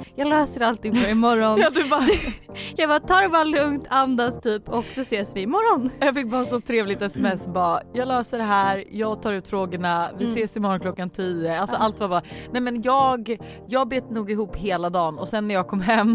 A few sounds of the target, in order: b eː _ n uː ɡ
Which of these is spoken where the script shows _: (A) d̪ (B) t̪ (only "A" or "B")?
B